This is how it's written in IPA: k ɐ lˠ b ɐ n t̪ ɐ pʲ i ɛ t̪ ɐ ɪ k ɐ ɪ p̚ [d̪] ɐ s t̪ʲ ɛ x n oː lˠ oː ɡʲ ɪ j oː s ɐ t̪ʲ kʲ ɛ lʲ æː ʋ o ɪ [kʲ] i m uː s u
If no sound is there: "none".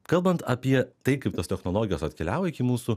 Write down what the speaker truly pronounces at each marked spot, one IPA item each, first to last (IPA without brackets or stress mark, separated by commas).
t̪, kʲ